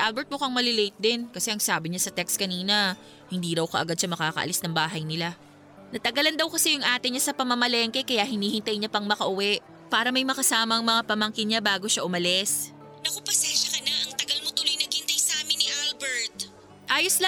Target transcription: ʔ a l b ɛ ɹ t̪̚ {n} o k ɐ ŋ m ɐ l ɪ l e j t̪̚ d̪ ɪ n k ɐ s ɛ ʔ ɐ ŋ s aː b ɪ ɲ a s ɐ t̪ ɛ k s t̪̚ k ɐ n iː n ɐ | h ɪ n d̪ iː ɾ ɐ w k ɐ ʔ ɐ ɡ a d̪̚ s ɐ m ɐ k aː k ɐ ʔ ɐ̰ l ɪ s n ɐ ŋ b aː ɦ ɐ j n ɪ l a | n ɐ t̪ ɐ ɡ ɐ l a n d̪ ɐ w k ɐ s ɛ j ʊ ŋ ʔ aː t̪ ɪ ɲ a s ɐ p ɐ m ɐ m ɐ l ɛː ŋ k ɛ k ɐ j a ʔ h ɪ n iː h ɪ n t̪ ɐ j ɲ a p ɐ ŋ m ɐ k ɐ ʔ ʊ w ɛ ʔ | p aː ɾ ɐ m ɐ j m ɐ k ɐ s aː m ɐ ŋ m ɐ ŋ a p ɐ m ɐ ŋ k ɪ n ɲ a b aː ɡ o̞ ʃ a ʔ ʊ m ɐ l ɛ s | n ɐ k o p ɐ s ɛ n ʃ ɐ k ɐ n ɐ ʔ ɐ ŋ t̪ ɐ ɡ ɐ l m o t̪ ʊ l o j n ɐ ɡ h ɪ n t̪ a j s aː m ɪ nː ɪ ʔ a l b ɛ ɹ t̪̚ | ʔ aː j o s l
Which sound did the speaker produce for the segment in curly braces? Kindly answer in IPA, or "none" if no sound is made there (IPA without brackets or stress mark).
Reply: m